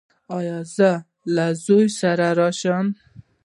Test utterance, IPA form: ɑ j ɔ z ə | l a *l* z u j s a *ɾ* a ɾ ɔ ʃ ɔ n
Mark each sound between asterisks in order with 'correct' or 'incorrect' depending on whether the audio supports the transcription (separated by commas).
incorrect, correct